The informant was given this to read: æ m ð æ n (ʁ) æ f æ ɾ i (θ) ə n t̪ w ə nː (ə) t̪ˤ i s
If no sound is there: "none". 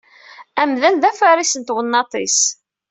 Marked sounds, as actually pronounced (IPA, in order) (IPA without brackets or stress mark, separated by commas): ð, s, ɑ